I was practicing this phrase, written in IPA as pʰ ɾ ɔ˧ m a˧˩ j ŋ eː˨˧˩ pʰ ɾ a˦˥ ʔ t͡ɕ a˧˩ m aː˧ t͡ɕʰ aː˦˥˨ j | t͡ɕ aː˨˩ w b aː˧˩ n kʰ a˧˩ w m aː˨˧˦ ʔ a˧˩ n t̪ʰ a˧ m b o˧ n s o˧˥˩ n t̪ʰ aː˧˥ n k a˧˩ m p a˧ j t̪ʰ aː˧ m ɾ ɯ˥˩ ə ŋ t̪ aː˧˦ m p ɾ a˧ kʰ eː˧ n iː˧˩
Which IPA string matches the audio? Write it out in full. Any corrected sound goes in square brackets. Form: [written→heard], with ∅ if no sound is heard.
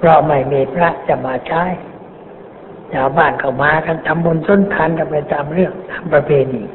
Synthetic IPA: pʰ ɾ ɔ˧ m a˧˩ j [ŋ→m] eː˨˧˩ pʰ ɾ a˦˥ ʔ t͡ɕ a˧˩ m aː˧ t͡ɕʰ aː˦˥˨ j | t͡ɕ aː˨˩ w b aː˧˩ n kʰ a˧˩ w m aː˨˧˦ [ʔ→k] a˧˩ n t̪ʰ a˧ m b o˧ n s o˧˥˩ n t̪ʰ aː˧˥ n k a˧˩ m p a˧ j [t̪ʰ→t̪] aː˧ m ɾ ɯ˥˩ ə ŋ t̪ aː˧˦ m p ɾ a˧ [kʰ→pʰ] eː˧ n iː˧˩